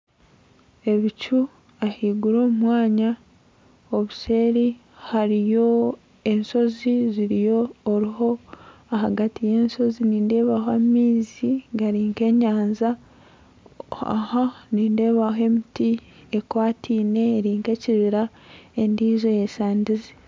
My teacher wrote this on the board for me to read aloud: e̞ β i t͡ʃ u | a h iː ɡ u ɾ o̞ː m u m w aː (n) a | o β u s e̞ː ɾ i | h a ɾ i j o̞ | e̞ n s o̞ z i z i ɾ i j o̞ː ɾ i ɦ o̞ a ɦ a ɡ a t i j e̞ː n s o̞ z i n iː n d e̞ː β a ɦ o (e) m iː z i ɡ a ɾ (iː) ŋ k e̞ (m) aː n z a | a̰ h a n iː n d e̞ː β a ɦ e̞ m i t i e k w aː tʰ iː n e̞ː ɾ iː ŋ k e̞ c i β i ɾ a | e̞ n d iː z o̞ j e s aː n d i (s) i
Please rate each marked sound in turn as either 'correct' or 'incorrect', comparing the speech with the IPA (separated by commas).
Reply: incorrect, incorrect, correct, incorrect, incorrect